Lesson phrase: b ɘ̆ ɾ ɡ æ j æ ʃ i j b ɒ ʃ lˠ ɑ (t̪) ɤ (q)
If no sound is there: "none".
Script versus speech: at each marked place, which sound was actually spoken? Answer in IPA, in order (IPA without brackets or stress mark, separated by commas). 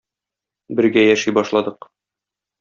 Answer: d̪, q